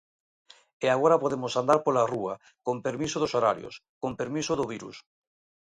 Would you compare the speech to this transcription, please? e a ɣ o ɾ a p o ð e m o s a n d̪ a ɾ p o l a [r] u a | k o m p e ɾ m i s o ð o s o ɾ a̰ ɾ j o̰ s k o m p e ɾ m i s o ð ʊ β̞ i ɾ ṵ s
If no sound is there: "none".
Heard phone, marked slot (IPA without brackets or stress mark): r